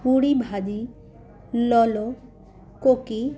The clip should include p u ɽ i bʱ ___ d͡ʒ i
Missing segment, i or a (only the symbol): a